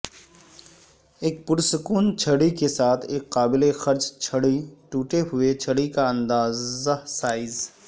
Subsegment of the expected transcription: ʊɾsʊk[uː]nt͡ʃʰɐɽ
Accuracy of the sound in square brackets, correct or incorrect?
correct